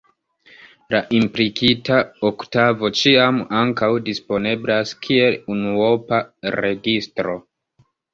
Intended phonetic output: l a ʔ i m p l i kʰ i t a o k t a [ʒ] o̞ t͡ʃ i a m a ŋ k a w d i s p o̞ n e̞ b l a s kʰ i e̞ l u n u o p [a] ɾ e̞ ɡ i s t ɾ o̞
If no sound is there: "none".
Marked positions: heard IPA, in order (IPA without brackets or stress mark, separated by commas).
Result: v, a